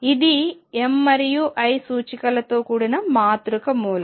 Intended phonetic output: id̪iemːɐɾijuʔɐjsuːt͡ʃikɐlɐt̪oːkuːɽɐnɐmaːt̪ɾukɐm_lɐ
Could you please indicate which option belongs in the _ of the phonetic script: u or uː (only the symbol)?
uː